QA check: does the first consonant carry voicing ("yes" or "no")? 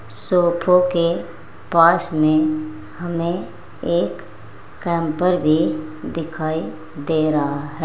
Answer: no